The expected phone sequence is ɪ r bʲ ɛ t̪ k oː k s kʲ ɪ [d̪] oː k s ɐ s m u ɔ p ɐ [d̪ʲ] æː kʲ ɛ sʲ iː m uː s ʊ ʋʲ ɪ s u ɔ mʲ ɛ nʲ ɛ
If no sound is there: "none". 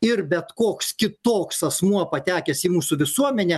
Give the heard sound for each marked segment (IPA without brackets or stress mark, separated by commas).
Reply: t̪, t̪ʲ